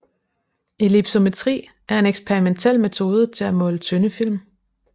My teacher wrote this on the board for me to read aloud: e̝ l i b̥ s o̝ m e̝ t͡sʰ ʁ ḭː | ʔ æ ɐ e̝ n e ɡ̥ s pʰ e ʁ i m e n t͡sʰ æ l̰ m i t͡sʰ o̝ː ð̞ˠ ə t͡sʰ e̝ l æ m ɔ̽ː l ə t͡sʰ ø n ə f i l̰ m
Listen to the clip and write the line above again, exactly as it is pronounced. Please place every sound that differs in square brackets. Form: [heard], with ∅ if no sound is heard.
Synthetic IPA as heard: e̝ l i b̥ s o̝ m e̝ t͡sʰ ʁ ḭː | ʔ æ ɐ e̝ n e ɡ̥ s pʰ e ʁ i m e n t͡sʰ [e] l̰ m [e] t͡sʰ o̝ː ð̞ˠ ə t͡sʰ e̝ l æ m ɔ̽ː l ə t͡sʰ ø n ə f i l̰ m